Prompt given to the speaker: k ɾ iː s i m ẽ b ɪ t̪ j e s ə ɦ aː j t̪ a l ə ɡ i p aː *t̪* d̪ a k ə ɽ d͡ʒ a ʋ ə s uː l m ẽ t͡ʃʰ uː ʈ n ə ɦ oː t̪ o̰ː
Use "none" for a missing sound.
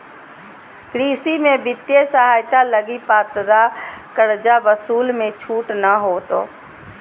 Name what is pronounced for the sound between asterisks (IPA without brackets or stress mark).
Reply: t̪